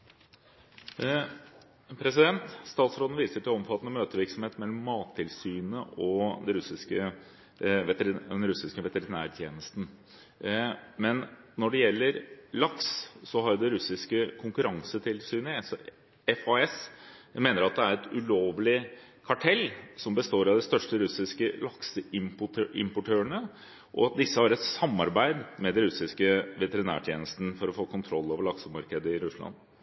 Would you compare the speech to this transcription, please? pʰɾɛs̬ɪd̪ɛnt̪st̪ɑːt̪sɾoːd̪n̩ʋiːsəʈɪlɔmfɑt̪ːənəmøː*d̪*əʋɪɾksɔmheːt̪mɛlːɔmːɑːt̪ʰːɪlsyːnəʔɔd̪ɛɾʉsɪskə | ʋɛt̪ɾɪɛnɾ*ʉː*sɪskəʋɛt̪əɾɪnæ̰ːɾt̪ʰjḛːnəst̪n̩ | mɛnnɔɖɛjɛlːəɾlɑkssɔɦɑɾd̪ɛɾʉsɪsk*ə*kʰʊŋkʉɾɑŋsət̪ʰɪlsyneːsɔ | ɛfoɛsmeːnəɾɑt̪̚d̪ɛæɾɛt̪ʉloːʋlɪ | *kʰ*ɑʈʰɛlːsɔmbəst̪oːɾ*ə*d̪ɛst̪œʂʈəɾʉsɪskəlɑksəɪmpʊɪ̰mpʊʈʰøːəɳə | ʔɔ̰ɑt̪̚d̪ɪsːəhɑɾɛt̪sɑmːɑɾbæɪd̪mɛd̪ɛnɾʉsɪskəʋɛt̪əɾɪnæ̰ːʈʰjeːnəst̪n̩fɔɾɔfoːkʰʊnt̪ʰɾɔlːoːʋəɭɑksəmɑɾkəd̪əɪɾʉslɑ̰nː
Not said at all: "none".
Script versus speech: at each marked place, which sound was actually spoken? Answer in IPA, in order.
t̪, ʉ, ə, kʰ, ɑ

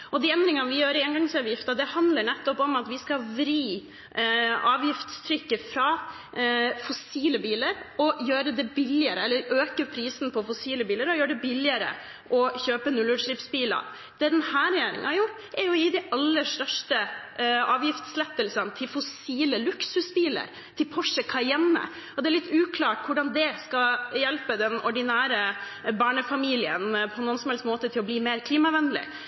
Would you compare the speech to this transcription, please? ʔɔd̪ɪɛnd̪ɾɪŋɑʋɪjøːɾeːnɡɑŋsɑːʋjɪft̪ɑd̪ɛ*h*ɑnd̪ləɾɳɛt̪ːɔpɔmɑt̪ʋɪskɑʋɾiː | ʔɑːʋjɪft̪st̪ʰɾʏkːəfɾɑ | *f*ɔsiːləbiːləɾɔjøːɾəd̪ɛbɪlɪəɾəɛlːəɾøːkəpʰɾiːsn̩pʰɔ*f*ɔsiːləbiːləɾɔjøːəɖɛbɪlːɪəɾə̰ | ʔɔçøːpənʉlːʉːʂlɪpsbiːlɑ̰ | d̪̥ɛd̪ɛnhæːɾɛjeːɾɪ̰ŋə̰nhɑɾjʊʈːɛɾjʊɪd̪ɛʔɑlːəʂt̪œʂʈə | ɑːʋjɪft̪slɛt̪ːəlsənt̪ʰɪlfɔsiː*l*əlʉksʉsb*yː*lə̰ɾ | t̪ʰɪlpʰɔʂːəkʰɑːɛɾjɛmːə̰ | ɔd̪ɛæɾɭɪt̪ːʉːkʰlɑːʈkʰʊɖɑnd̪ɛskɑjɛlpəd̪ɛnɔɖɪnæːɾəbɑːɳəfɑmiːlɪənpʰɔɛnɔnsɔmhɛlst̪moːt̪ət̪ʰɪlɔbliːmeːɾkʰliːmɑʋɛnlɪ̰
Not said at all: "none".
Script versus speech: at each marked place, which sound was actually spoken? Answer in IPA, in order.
h, f, f, l, iː

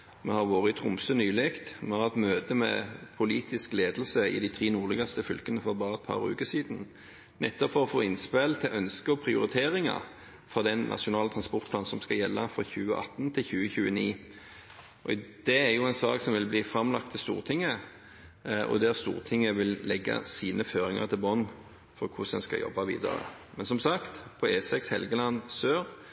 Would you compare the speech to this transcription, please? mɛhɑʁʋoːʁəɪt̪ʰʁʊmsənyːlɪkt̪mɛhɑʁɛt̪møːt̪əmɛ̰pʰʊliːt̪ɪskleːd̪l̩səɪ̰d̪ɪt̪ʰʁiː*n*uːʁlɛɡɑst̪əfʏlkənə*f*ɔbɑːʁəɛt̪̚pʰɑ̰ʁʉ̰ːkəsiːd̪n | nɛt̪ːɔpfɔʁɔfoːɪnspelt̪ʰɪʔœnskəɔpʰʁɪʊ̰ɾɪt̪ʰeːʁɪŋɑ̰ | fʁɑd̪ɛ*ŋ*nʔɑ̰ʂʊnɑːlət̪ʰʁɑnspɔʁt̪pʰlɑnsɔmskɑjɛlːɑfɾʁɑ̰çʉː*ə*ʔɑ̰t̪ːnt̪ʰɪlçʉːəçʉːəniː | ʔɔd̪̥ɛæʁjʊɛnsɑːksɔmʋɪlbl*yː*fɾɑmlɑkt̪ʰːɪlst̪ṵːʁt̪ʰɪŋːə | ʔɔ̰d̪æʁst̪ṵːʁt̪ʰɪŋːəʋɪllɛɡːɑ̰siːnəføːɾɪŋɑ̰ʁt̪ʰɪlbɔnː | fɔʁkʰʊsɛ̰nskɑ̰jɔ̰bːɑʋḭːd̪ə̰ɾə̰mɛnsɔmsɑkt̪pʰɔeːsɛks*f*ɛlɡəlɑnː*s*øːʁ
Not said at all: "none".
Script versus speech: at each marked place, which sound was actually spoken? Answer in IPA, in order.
n, f, n, ə, iː, h, s

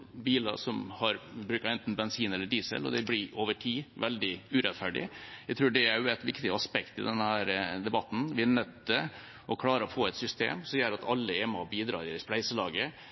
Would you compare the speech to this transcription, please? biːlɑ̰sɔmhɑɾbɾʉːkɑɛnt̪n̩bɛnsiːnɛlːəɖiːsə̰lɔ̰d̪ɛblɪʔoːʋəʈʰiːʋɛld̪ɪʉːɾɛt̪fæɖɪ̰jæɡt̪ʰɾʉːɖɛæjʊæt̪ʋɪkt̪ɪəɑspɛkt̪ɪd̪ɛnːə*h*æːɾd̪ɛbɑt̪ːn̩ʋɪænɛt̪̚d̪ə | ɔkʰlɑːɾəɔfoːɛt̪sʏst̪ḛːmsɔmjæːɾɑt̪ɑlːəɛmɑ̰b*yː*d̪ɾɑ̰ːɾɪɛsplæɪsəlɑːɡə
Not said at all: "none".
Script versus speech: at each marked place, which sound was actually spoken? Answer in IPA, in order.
h, iː

